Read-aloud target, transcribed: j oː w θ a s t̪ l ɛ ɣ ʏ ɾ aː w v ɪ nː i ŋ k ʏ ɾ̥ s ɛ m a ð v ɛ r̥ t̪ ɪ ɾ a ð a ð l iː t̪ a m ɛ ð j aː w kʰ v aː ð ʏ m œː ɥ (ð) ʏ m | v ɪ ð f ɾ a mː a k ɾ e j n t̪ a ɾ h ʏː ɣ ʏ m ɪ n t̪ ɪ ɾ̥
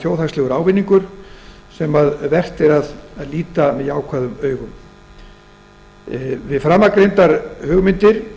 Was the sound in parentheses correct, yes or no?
no